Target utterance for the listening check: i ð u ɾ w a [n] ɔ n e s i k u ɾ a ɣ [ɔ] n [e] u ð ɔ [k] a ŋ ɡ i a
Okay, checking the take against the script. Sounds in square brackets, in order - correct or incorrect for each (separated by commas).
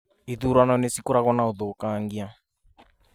correct, correct, incorrect, correct